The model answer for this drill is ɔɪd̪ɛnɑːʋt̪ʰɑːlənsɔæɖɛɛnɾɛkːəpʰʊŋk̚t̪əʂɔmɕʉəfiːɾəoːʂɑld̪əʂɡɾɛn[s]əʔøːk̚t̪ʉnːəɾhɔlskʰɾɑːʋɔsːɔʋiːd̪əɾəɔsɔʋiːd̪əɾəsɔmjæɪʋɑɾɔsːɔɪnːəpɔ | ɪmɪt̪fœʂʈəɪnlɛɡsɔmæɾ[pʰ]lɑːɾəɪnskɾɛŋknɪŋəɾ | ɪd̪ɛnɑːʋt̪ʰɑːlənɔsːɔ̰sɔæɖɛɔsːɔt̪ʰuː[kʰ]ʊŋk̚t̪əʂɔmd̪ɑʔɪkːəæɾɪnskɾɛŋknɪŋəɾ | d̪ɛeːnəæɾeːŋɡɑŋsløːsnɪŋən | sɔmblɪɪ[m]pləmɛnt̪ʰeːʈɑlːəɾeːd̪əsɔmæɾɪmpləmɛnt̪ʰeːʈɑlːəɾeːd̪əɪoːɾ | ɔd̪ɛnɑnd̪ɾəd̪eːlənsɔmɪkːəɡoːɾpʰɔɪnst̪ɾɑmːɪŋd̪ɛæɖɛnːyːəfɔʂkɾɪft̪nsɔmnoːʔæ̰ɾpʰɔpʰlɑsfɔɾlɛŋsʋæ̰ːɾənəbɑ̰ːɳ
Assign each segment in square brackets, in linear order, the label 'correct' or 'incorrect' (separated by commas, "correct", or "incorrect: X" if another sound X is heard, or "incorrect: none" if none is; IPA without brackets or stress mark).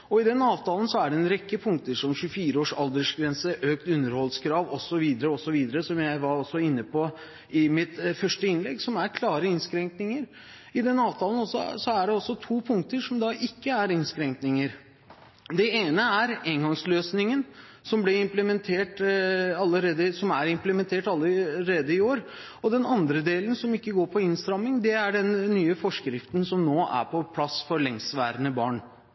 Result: correct, incorrect: kʰ, incorrect: pʰ, correct